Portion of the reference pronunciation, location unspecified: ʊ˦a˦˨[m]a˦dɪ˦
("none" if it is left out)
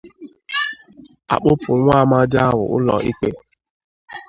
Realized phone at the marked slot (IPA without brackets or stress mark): m